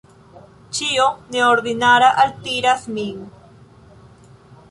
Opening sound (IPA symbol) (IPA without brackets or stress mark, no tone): t͡ʃ